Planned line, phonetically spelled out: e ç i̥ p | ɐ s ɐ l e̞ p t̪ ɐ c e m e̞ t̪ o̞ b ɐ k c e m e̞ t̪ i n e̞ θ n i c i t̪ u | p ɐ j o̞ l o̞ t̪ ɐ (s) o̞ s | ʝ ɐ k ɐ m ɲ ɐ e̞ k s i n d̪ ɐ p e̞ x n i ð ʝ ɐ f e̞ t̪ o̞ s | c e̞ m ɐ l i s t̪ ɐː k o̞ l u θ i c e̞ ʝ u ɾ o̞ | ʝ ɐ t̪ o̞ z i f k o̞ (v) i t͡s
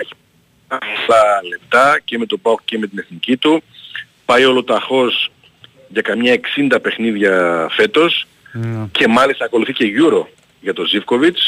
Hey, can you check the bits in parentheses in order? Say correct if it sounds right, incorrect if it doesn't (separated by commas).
incorrect, correct